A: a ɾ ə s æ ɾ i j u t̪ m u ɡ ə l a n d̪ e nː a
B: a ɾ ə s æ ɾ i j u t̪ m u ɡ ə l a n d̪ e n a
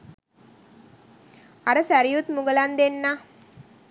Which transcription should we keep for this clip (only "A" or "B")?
A